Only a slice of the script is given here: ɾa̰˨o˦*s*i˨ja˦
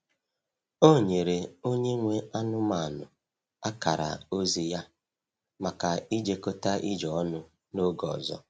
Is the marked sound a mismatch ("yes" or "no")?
yes